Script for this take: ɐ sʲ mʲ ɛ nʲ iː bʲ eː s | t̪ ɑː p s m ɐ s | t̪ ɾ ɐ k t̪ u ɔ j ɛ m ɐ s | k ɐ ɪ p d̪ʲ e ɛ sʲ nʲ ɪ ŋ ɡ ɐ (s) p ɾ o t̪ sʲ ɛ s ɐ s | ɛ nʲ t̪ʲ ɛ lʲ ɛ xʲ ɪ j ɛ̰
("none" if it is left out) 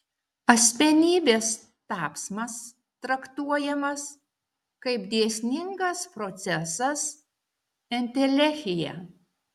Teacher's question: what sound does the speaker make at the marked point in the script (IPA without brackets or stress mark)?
s